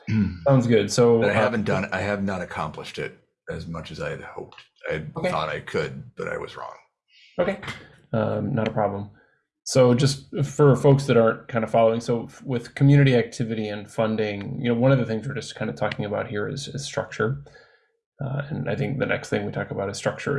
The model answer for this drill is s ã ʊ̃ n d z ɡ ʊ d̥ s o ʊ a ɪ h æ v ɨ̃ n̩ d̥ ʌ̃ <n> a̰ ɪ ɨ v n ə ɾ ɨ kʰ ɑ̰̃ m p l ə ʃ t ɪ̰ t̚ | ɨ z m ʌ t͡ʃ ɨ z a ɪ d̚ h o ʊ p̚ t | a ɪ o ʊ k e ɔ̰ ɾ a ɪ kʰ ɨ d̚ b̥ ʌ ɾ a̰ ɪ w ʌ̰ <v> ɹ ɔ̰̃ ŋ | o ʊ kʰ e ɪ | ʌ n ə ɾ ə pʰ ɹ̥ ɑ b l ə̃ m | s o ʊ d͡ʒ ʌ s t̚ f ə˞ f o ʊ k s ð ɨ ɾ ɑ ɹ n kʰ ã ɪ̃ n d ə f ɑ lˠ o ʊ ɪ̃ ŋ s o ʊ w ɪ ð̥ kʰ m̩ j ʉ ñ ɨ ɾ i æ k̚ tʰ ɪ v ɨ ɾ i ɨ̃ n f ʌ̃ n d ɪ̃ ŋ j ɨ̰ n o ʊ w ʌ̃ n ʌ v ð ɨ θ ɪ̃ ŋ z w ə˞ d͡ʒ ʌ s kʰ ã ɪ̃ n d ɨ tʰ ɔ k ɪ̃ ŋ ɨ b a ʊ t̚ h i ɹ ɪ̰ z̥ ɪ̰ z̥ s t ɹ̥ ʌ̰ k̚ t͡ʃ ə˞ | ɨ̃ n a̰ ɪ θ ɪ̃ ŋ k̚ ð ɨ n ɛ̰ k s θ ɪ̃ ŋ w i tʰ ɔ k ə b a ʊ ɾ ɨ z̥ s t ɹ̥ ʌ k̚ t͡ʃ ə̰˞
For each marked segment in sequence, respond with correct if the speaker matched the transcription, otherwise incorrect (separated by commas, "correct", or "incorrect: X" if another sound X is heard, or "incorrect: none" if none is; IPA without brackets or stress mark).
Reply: correct, incorrect: z